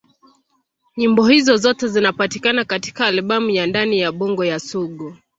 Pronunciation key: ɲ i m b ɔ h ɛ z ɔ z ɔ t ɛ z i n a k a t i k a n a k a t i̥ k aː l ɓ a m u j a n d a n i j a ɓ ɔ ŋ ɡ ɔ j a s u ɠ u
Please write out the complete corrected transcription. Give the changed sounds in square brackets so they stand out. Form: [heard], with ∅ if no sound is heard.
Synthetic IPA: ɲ i m b ɔ h [i] z ɔ z ɔ t ɛ z i n a [p] a t i k a n a k a t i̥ k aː l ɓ a m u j a n d a n i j a ɓ ɔ ŋ ɡ ɔ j a s u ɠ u

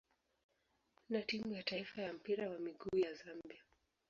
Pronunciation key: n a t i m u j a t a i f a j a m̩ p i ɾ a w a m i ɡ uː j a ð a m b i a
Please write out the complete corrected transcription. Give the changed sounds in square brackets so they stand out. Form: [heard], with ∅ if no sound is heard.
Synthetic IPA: n a t i m u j a t a i f a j a m̩ p i ɾ a w a m i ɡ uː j a [z] a m b i a

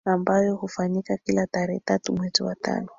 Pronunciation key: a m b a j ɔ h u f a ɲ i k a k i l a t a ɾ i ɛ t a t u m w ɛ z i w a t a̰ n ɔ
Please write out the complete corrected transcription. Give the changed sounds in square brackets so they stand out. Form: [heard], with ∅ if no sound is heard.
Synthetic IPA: a m b a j ɔ h u f a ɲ i k a k i l a t a ɾ [ɛ] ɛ t a t u m w ɛ z i w a t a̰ n ɔ

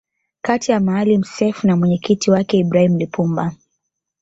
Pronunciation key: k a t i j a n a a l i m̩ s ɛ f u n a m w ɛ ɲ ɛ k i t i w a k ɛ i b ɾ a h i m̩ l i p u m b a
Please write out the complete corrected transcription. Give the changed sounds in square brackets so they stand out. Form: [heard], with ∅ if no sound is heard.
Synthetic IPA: k a t i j a [m] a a l i m̩ s ɛ f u n a m w ɛ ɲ ɛ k i t i w a k ɛ i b ɾ a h i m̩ l i p u m b a

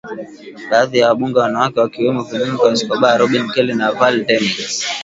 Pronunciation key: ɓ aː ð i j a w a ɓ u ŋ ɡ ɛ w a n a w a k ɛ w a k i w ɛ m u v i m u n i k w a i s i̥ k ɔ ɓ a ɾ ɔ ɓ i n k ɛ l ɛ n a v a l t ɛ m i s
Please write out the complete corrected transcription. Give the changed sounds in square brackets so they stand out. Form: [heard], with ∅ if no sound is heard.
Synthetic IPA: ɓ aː ð i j a w a ɓ u ŋ ɡ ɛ w a n a w a k ɛ w a k i w ɛ m [ɔ] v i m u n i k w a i s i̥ k ɔ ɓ a ɾ ɔ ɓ i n k ɛ l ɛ n a v a l t ɛ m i s

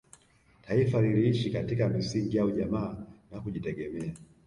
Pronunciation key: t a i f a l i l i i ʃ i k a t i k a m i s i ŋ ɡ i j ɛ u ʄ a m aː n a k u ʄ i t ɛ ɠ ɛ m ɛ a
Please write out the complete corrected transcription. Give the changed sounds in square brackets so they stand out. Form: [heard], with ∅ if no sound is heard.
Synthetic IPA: t a i f a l i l i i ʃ i k a t i k a m i s i ŋ ɡ i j [a] u ʄ a m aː n a k u ʄ i t ɛ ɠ ɛ m ɛ a

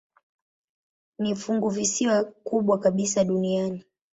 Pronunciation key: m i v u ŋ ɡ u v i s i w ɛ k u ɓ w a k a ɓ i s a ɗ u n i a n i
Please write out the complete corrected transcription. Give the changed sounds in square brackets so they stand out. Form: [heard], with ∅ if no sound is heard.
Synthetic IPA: [n] i [f] u ŋ ɡ u v i s i w [a] k u ɓ w a k a ɓ i s a ɗ u n i a n i

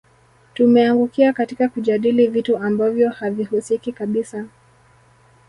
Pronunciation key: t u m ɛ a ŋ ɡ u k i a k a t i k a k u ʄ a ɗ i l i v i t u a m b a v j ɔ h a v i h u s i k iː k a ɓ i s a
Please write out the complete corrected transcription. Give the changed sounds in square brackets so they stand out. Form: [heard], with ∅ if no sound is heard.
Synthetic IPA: t u m ɛ a ŋ ɡ u k i a k a t i k a k u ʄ a ɗ i l i v i t u a m b a v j ɔ h a v i h u s i k [i] k a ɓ i s a

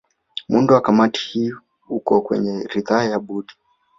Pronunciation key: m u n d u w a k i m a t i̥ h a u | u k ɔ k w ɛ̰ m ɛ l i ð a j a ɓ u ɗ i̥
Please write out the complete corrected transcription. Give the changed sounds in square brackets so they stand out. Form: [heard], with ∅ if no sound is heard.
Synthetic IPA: m u n d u w a k [a] m a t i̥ h [i] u | u k ɔ k w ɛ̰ [ɲ] ɛ [ɾ] i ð a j a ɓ u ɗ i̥

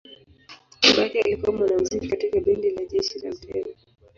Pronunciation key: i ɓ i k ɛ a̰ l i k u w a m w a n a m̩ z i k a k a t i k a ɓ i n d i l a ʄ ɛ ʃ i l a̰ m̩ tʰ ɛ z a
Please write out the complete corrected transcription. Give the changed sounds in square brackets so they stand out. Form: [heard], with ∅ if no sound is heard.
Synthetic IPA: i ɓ [a] k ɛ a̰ l i k u w a m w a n a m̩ z i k [i] k a t i k a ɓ i n d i l a ʄ ɛ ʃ i l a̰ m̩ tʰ ɛ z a

